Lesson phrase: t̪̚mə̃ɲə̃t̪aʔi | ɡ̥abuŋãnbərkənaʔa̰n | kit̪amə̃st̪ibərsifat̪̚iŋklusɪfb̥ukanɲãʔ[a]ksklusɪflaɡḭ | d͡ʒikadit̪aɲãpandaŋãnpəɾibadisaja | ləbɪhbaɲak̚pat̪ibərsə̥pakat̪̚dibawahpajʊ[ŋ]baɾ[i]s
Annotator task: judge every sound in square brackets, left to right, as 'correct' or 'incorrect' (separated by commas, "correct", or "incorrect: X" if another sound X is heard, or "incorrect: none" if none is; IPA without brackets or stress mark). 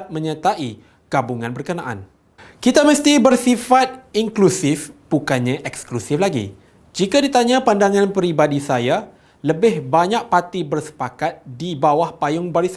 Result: incorrect: ɛ, correct, correct